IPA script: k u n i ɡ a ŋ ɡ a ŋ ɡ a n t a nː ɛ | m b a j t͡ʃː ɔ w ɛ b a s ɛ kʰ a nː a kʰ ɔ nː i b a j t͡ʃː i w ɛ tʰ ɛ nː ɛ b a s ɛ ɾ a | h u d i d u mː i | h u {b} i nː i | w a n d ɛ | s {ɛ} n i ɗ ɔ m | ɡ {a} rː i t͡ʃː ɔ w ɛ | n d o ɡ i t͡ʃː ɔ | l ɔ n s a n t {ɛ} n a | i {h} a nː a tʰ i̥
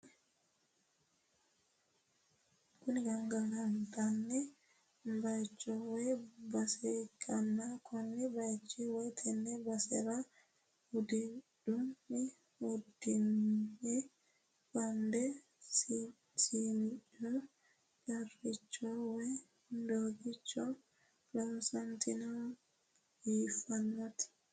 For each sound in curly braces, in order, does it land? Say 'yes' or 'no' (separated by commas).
no, no, yes, no, no